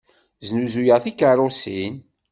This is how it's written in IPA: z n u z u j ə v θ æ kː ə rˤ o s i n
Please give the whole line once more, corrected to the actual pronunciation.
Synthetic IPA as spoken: z n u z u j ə ʁ θ i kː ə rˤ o s i n